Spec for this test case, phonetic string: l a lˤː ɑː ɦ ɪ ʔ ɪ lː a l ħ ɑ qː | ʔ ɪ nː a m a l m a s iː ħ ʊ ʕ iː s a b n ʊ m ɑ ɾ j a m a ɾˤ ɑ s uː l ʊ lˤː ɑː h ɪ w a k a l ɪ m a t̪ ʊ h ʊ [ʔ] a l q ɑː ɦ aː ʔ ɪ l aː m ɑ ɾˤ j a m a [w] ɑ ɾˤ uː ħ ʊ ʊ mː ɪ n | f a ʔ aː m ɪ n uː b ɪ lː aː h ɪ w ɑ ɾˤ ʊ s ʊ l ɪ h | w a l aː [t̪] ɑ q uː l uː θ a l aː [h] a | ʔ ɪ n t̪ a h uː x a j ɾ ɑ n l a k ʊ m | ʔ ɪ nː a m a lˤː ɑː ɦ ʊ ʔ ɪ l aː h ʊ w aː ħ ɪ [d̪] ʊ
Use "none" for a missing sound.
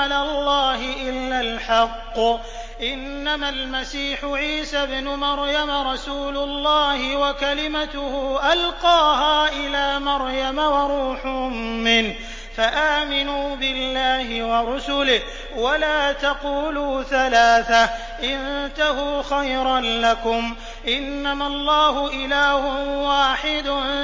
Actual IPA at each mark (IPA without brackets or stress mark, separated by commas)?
ʔ, w, t̪, θ, d̪